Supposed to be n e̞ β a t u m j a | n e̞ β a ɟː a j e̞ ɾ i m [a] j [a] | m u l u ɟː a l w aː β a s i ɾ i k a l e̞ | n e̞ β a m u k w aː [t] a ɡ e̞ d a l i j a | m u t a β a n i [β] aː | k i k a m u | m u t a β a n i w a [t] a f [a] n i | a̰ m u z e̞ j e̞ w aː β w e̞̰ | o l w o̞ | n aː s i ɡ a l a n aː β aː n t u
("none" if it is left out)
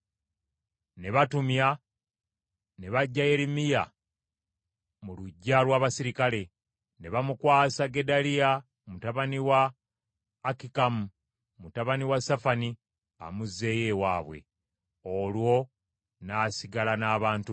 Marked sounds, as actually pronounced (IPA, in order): i, a, s, w, s, a

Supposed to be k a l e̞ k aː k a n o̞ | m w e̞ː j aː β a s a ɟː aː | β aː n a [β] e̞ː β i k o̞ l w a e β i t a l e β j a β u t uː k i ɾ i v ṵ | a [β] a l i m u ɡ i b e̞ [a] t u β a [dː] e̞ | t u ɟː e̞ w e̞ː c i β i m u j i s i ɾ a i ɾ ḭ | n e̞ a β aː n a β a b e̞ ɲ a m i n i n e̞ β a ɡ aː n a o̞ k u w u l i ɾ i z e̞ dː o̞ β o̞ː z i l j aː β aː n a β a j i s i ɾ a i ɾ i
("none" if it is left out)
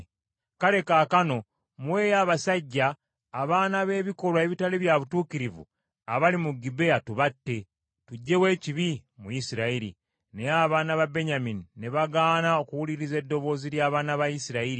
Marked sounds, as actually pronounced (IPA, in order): β, β, a, tː

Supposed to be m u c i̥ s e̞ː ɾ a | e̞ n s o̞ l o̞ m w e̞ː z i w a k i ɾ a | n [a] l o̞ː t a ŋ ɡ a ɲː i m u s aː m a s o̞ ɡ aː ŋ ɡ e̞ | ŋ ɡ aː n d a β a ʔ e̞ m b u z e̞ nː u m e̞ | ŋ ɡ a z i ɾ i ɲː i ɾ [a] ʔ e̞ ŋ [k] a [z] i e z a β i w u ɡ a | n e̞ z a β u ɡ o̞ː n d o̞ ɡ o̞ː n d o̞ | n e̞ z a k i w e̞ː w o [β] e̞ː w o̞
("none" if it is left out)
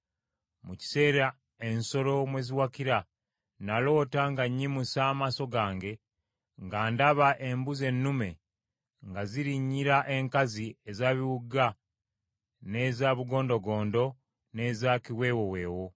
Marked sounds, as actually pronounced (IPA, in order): a, a, k, z, w

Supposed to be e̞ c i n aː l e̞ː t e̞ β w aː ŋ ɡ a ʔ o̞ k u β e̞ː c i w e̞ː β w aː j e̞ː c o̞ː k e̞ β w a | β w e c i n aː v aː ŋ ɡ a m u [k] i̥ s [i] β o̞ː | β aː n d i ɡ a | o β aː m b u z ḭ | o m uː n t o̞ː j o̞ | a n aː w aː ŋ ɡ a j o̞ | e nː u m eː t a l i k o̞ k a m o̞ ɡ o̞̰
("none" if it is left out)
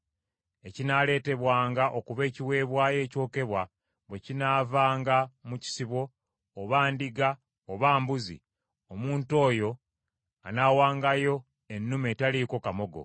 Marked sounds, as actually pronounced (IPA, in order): c, i

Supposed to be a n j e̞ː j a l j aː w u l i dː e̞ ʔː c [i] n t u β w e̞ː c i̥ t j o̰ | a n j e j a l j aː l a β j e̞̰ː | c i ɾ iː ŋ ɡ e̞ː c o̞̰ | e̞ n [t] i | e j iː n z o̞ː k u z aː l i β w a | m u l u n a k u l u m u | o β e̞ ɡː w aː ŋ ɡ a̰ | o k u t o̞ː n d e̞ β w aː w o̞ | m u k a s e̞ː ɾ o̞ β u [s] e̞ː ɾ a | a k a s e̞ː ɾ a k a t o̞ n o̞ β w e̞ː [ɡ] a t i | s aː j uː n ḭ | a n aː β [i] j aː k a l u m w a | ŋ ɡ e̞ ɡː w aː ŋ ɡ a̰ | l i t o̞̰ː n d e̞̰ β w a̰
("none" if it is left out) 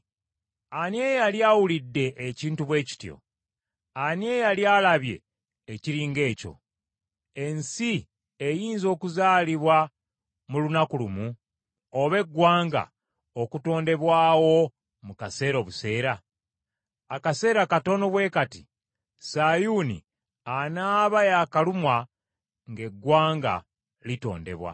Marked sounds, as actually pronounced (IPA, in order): iː, s, s, k, a

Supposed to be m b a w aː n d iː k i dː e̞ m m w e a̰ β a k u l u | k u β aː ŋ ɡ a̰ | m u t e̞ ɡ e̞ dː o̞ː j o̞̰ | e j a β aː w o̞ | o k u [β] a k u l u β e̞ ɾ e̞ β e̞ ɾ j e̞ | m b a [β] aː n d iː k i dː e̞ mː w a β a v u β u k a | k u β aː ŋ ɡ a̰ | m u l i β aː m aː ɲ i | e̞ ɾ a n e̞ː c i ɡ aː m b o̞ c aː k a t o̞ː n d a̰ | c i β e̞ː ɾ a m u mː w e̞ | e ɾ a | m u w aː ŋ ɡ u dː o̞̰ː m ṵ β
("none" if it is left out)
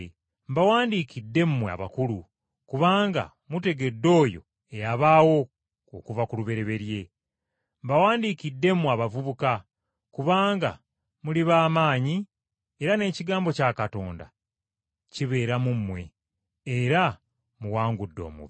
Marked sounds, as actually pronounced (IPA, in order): v, w

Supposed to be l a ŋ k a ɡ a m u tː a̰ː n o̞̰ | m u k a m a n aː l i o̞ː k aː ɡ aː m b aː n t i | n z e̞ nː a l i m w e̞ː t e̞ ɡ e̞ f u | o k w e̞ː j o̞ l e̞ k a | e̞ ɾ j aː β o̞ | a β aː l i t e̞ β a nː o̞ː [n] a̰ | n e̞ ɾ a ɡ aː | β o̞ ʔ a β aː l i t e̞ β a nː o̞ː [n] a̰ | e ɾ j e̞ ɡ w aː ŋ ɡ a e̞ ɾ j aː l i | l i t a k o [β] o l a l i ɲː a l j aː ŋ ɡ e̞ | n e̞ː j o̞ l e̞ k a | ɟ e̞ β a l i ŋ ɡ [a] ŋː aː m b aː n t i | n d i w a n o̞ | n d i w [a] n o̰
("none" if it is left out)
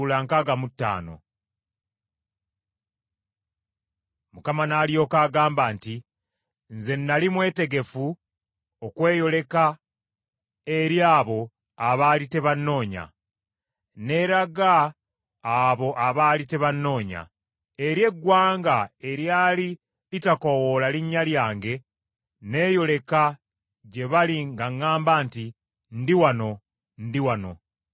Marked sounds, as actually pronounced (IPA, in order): ɲ, ɲ, w, a, a

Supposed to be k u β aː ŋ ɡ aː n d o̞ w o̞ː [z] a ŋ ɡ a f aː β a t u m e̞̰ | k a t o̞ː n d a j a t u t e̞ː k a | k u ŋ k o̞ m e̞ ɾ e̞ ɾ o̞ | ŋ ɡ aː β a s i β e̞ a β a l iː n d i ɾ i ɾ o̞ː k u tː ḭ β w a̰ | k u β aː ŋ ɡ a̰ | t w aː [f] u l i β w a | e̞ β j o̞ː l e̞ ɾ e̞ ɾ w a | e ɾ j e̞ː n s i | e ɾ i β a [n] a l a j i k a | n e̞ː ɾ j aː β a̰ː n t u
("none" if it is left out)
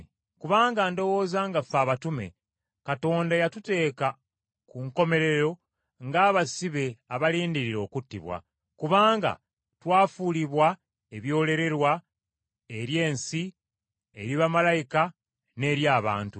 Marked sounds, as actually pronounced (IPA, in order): z, f, m

